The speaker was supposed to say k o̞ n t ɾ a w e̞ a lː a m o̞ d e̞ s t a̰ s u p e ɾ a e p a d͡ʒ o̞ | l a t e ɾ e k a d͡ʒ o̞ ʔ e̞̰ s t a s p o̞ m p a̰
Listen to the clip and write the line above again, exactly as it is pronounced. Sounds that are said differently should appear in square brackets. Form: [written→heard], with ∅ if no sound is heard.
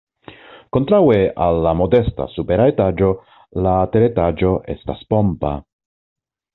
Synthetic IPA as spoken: k o̞ n t ɾ a w e̞ a lː a m o̞ d e̞ s t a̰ s u p e ɾ a e [p→t] a d͡ʒ o̞ | l a t e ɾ e [k→t] a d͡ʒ o̞ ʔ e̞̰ s t a s p o̞ m p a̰